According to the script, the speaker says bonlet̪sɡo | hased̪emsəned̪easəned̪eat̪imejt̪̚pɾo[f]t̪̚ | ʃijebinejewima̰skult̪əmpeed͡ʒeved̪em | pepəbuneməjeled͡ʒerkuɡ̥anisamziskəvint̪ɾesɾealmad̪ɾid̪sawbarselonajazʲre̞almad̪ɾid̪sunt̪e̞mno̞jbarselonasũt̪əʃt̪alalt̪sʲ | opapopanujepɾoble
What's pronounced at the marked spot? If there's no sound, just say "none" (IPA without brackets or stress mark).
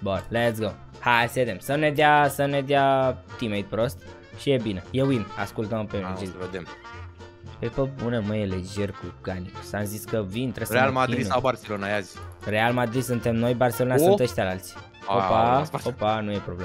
s